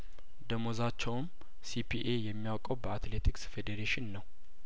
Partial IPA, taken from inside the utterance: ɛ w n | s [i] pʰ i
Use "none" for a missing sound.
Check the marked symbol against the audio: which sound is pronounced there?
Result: i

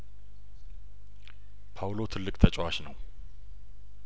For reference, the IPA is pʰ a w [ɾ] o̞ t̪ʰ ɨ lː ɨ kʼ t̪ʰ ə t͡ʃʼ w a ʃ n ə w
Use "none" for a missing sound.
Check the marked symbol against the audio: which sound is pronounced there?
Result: l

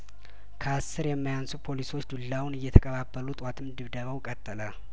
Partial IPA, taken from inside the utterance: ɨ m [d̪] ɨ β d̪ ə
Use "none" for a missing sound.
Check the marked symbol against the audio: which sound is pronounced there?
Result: d̪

